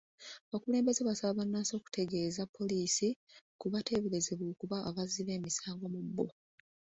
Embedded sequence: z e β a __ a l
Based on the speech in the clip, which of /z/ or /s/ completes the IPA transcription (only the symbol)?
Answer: s